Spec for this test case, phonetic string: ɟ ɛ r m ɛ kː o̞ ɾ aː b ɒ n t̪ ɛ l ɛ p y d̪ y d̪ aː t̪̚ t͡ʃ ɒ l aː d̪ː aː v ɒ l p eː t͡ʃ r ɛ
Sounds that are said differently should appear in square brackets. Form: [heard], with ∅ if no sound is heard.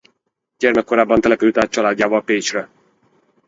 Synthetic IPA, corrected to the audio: ɟ ɛ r m ɛ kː o̞ ɾ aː [bː] ɒ n t̪ ɛ l ɛ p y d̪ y [t̪] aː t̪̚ t͡ʃ ɒ l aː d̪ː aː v ɒ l p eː t͡ʃ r ɛ